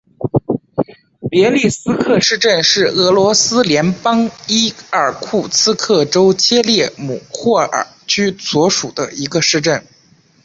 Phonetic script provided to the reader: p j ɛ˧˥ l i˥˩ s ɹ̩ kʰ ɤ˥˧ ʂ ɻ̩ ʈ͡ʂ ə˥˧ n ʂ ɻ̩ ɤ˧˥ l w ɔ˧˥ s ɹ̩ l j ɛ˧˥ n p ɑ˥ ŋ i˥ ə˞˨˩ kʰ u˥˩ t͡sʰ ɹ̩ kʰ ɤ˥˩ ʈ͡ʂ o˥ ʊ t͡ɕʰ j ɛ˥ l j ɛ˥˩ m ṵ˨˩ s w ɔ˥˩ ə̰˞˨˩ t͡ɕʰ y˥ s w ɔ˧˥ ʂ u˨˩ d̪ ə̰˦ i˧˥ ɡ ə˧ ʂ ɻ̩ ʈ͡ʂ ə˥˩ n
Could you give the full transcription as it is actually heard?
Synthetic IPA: p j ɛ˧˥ l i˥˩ s ɹ̩ kʰ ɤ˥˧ ʂ ɻ̩ ʈ͡ʂ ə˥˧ n ʂ ɻ̩ ɤ˧˥ l w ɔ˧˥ s ɹ̩ l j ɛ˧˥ n p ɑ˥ ŋ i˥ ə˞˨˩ kʰ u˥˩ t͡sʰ ɹ̩ kʰ ɤ˥˩ ʈ͡ʂ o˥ ʊ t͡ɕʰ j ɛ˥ l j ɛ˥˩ m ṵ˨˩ x w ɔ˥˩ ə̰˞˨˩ t͡ɕʰ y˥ s w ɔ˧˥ ʂ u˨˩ d̪ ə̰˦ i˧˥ ɡ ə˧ ʂ ɻ̩ ʈ͡ʂ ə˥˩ n